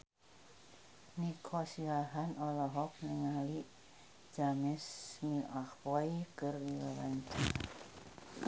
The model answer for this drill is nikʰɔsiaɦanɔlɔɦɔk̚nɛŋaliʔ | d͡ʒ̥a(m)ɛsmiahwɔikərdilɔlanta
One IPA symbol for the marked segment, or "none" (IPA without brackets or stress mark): m